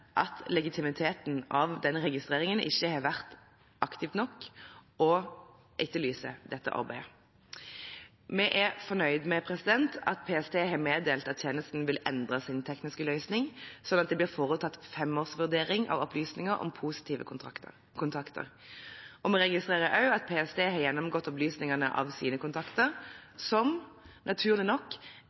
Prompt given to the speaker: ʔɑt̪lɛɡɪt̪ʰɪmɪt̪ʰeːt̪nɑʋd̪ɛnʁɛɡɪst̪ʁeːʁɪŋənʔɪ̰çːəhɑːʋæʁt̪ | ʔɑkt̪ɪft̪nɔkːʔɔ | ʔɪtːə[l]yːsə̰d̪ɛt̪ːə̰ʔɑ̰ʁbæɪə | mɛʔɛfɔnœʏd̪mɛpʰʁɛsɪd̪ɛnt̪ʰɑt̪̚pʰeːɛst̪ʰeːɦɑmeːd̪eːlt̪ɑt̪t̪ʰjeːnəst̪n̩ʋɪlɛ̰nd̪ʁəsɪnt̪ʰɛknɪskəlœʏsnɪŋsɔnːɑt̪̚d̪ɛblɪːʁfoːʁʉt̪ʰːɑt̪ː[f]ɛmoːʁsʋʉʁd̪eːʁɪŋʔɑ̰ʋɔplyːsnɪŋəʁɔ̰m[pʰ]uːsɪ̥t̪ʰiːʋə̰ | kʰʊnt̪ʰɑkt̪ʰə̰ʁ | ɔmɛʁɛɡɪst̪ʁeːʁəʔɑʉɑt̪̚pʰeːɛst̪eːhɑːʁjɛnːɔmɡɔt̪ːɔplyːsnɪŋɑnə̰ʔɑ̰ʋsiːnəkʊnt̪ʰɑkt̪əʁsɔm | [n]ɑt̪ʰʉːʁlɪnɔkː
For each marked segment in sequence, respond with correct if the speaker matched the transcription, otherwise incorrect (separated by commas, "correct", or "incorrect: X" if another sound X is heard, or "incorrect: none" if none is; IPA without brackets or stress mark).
correct, correct, correct, correct